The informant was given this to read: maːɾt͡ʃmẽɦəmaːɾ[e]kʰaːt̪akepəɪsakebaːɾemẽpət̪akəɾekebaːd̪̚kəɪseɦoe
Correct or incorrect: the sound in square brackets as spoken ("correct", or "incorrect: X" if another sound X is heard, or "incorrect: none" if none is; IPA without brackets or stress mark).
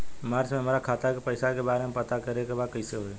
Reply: incorrect: a